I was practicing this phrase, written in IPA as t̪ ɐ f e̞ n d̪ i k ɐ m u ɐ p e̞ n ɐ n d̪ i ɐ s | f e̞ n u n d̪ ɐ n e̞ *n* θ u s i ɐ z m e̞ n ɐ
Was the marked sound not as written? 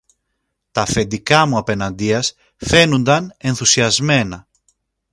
no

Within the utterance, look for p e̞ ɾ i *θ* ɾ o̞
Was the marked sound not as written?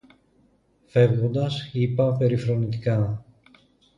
yes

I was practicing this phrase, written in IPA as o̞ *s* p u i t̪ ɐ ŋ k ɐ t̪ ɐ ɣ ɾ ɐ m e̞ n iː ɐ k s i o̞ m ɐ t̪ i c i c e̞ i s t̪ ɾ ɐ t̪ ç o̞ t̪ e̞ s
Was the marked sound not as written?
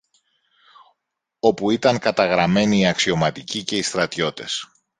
yes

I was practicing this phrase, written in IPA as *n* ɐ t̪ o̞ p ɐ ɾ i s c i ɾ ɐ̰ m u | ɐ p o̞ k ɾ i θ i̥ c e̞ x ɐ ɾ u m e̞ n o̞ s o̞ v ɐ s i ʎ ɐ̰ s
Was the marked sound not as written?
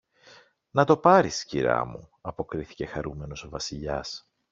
no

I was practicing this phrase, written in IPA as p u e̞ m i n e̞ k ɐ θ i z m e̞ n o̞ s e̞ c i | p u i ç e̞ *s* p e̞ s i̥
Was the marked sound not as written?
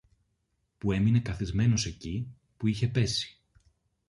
yes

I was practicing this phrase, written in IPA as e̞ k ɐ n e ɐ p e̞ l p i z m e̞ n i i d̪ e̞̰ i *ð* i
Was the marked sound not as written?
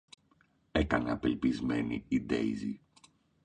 yes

